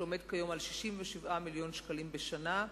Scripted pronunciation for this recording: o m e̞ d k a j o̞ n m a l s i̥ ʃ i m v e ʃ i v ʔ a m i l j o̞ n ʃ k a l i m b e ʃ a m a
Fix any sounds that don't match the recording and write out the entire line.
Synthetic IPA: o m e̞ d k a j o̞ m a l ʃ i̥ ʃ i m v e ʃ i v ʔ a m i l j o̞ n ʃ k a l i m b e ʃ a n a